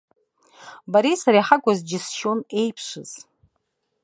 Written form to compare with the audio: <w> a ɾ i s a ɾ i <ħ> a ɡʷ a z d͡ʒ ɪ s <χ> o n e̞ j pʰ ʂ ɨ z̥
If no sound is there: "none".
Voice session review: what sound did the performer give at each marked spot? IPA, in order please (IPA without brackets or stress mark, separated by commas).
b, ħ, ʃ